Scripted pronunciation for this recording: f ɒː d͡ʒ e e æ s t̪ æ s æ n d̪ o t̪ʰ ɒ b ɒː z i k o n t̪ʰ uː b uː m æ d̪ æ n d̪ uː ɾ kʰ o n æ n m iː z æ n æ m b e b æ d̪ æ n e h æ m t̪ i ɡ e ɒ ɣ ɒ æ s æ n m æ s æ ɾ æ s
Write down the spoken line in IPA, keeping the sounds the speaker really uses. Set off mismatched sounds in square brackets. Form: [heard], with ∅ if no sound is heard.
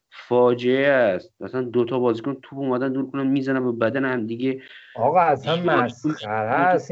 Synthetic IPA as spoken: f ɒː d͡ʒ e e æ s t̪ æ s æ n d̪ o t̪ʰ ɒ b ɒː z i k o n t̪ʰ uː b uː m æ d̪ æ n d̪ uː ɾ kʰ o n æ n m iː z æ n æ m b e b æ d̪ æ n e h æ m [d̪] i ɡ e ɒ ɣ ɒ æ s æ n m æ s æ ɾ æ s